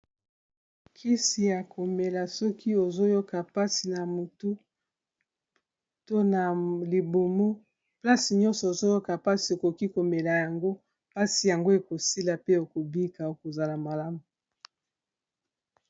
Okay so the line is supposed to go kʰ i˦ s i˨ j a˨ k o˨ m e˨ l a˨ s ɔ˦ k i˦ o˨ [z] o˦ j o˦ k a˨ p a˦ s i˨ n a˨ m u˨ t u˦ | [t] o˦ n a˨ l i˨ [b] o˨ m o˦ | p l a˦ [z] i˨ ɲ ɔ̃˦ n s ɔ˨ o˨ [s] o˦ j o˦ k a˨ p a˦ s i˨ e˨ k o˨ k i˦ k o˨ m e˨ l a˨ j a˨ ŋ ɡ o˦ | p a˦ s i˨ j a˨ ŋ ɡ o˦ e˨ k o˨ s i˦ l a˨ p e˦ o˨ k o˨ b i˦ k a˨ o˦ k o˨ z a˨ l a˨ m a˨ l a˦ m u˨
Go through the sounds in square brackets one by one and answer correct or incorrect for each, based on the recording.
correct, correct, correct, incorrect, incorrect

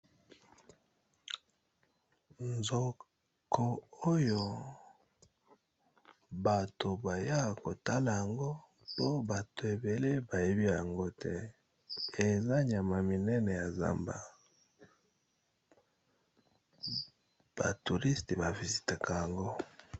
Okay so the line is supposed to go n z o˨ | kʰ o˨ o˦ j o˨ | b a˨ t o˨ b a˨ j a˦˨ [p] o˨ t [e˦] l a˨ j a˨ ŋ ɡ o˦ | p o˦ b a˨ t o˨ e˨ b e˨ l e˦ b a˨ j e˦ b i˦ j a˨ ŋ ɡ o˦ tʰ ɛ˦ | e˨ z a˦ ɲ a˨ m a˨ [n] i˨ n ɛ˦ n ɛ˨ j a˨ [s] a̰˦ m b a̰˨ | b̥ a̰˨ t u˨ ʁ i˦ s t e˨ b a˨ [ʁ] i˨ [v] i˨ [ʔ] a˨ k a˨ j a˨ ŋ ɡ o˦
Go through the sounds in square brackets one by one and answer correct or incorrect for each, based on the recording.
incorrect, incorrect, incorrect, incorrect, incorrect, incorrect, incorrect

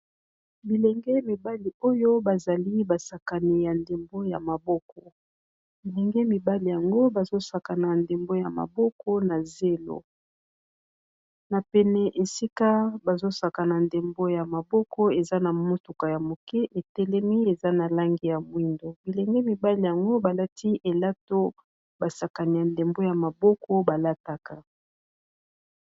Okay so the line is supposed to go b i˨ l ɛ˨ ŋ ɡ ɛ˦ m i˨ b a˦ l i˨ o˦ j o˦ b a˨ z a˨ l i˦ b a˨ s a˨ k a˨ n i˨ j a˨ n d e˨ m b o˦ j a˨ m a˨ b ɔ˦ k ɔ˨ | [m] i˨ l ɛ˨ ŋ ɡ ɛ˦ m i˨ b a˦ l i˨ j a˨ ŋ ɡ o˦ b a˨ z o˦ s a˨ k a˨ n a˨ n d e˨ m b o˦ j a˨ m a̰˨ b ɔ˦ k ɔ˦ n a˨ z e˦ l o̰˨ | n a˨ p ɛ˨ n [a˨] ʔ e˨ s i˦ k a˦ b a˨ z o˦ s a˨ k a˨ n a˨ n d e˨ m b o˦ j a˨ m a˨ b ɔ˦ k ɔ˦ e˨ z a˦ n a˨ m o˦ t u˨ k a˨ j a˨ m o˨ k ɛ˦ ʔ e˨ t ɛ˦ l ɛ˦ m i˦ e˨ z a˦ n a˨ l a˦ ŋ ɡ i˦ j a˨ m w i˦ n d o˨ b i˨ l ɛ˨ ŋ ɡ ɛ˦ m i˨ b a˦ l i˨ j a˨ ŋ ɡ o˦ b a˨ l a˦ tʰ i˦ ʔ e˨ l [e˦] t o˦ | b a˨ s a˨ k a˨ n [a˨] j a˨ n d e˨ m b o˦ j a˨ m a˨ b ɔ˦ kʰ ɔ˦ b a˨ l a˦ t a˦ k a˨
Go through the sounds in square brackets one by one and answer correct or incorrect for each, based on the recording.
incorrect, incorrect, incorrect, incorrect

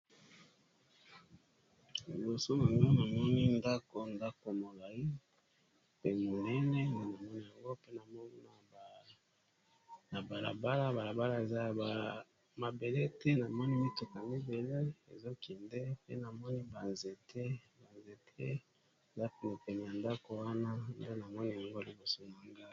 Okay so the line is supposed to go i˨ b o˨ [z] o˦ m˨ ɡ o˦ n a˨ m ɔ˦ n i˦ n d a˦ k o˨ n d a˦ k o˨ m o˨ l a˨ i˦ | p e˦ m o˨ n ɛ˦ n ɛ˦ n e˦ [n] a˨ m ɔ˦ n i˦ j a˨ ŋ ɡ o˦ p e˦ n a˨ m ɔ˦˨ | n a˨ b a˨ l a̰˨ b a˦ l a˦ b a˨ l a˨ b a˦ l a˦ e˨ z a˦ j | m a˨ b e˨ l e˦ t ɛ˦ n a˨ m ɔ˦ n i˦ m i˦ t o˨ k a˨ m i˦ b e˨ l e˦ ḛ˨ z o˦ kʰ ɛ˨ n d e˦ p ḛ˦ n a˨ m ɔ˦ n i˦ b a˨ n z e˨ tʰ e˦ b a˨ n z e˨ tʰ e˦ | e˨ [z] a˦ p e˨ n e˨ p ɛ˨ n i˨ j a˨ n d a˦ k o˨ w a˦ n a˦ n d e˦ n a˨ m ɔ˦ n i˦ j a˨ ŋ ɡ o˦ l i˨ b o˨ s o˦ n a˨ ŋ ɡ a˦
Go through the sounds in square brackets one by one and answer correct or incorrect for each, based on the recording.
incorrect, correct, correct

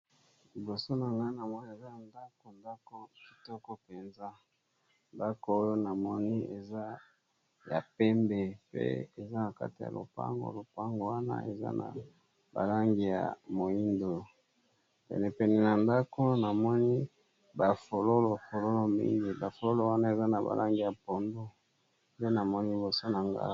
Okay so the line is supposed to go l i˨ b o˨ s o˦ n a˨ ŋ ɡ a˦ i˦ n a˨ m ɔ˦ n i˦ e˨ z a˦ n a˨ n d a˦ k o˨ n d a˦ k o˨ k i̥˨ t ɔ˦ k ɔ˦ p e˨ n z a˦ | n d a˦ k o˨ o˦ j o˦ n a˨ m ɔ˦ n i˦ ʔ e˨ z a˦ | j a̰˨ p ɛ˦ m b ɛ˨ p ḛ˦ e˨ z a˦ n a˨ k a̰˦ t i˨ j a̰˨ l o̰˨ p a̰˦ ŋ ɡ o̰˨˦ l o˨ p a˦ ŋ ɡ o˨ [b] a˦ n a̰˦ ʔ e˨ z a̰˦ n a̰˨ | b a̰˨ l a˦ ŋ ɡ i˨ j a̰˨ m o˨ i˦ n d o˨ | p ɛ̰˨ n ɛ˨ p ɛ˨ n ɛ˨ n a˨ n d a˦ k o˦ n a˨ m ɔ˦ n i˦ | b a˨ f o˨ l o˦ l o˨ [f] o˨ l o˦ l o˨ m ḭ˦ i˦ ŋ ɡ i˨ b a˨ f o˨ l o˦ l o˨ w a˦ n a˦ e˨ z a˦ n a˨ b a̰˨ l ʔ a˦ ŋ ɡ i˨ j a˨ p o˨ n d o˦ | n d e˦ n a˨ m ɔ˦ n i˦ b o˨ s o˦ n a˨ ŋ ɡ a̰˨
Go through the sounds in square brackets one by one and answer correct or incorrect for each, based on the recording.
incorrect, correct

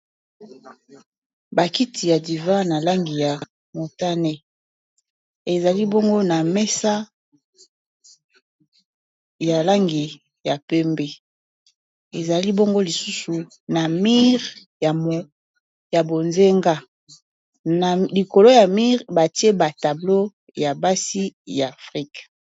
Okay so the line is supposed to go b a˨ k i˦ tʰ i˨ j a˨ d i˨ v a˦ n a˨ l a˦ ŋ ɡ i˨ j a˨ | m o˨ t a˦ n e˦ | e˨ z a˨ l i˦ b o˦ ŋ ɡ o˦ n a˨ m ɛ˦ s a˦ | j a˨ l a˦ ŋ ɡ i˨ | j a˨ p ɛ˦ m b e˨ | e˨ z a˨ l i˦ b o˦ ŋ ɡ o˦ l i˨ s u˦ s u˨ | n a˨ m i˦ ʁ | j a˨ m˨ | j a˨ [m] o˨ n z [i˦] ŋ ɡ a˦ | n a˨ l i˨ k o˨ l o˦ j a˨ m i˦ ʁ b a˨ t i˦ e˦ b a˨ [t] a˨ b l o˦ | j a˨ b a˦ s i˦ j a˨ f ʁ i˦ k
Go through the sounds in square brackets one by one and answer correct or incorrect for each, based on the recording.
incorrect, incorrect, correct

